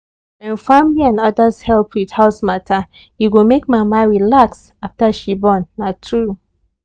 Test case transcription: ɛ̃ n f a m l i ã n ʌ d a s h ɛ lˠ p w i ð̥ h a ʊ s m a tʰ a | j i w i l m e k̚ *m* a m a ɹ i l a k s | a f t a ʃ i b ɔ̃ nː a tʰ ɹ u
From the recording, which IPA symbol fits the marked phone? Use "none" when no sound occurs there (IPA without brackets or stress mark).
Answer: m